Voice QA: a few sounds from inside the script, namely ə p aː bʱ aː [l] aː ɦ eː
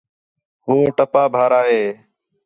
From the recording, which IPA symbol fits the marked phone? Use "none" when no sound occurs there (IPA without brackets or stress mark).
ɾ